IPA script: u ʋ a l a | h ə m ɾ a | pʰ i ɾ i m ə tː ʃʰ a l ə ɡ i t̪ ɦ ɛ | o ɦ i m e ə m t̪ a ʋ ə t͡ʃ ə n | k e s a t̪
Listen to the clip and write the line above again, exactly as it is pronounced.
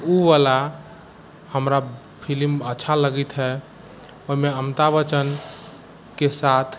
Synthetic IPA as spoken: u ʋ a l a | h ə m ɾ a | pʰ i l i m ə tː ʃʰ a l ə ɡ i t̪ ɦ ɛ | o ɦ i m e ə m t̪ a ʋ ə t͡ʃ ə n | k e s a t̪ʰ